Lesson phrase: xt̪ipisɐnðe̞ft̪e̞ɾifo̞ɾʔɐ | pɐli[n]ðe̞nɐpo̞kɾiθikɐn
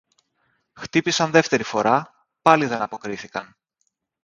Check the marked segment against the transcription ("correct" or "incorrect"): incorrect